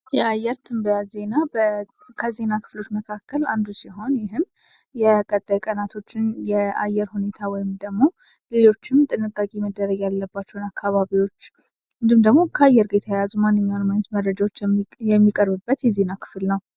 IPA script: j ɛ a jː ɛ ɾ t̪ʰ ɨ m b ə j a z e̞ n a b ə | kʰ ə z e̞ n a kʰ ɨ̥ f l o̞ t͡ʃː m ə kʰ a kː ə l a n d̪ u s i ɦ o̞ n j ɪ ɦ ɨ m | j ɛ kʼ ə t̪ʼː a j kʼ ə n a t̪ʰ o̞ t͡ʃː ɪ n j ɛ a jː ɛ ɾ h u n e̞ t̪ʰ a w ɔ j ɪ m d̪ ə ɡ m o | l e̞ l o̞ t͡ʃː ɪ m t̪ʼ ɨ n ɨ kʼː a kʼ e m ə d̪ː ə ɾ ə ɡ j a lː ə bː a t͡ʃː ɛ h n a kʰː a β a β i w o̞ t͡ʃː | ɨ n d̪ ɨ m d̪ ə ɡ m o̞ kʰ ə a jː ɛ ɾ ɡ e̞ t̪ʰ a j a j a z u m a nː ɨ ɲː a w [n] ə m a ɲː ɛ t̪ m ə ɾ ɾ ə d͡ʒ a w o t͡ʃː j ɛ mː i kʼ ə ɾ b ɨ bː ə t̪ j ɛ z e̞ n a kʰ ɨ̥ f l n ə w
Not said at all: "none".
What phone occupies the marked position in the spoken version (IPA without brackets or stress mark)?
n